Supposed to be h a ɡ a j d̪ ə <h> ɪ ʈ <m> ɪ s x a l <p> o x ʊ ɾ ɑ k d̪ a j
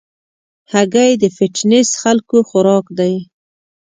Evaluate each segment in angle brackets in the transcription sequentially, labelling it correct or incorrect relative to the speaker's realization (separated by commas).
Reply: incorrect, incorrect, incorrect